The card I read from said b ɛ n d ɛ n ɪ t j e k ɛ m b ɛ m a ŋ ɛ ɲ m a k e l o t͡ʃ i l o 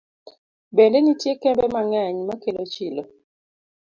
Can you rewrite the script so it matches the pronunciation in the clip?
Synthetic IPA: b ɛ n d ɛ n i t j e k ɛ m b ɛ m a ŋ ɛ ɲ m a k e l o t͡ʃ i l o

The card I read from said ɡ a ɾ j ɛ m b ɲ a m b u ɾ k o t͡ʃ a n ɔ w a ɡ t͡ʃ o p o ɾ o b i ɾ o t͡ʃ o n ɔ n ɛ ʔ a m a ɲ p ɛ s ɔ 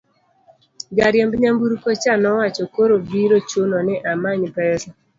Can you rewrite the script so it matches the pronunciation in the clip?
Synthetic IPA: ɡ a ɾ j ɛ m b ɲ a m b u ɾ k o t͡ʃ a n ɔ w a t͡ʃ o k o ɾ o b i ɾ o t͡ʃ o n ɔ n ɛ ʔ a m a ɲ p ɛ s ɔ

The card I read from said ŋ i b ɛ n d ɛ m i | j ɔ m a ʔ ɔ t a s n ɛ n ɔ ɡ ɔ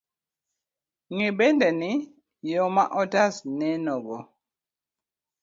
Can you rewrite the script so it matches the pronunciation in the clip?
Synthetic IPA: ŋ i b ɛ n d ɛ n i | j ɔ m a ʔ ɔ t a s n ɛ n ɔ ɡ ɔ

